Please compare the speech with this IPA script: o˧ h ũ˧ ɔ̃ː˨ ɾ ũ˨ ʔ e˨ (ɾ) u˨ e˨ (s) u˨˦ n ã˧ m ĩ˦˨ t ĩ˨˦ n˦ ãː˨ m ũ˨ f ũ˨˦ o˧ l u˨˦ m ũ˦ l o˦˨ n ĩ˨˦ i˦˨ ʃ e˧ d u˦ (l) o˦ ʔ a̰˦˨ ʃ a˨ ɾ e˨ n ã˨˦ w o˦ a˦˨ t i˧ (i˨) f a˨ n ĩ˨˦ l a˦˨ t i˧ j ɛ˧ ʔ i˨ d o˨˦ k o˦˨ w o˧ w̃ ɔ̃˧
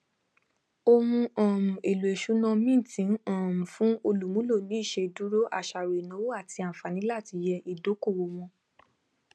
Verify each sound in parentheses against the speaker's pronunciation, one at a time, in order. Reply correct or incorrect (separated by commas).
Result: incorrect, incorrect, incorrect, incorrect